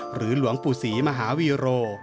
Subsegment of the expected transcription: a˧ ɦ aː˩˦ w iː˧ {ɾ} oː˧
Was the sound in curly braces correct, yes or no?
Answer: yes